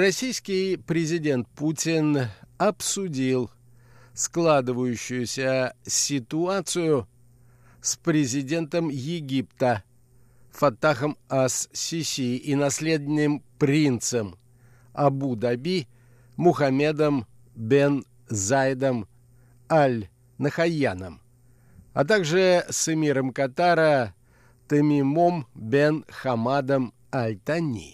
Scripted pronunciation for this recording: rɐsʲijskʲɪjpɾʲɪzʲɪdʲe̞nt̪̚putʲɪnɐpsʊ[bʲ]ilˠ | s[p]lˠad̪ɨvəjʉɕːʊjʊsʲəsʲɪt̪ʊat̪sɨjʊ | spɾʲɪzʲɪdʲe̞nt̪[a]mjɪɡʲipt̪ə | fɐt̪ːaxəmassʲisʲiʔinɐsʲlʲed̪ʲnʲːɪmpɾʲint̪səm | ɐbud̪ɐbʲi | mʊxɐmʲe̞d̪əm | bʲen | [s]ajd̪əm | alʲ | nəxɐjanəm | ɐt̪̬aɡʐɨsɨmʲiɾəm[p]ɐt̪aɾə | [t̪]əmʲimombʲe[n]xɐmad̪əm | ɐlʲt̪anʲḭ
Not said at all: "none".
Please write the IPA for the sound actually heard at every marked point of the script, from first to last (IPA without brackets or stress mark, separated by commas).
dʲ, k, ə, z, k, t̪, n